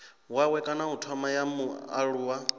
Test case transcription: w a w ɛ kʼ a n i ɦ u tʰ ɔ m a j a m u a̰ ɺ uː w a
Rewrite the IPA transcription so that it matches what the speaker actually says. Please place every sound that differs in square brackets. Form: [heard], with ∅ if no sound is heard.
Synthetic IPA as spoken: w a w ɛ kʼ a n [a] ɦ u tʰ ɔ m a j a m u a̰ ɺ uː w a